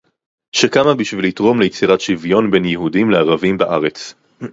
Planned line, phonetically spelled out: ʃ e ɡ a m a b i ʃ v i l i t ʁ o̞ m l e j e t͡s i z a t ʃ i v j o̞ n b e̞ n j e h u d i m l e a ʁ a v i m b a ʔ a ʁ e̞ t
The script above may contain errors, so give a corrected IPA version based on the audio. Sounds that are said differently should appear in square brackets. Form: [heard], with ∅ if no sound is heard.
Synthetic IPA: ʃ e [k] a m a b i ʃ v i l i t ʁ o̞ m l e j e t͡s i [ʁ] a t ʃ i v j o̞ n b e̞ n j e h u d i m l e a ʁ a v i m b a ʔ a ʁ e̞ [t͡s]

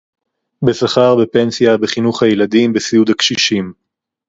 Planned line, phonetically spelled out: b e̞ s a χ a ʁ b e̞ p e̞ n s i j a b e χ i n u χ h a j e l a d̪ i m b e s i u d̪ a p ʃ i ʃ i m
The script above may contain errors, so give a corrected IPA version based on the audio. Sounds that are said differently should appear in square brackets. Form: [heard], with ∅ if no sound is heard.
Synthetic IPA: b e̞ s a χ a ʁ b e̞ p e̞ n s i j a b e χ i n u χ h a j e l a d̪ i m b e s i u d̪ a [k] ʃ i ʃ i m

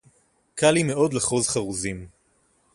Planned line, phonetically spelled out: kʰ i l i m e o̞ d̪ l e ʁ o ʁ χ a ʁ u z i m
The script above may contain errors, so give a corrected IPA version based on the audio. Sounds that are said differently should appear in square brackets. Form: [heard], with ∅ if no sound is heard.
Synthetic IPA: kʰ [a] l i m e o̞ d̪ l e [χ] o [z] χ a ʁ u z i m

